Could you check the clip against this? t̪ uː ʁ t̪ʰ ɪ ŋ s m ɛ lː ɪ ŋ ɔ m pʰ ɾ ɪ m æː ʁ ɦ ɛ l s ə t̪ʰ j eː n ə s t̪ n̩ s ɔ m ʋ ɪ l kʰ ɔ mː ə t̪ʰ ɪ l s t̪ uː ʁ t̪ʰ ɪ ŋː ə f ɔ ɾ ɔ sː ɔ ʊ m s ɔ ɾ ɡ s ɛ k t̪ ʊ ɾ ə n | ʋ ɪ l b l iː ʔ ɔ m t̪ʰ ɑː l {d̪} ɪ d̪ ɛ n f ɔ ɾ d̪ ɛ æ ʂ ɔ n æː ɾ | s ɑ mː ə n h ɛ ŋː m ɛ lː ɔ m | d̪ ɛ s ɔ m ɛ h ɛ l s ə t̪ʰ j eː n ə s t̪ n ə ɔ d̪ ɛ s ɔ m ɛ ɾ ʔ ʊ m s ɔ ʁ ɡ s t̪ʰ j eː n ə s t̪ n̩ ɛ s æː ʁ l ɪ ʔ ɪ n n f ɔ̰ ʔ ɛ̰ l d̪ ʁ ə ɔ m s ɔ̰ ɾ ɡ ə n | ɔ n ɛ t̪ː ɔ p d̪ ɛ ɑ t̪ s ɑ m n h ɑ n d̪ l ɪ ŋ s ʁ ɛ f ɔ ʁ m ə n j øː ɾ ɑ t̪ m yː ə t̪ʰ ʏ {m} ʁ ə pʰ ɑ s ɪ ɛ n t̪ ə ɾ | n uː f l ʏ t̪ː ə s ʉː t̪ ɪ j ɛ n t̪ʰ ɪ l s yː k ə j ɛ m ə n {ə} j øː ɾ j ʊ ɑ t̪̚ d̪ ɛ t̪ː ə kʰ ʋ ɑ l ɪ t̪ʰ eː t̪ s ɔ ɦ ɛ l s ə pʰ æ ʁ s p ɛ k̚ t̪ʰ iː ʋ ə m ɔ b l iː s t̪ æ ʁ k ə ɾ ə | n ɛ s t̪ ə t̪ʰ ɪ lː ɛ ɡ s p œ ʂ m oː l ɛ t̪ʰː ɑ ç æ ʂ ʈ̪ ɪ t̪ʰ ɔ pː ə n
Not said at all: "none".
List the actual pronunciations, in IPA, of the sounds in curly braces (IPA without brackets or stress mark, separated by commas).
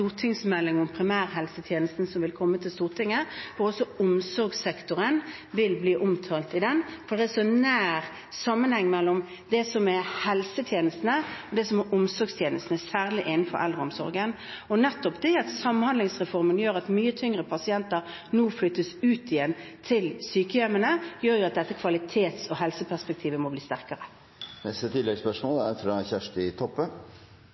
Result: t̪, ŋ, ə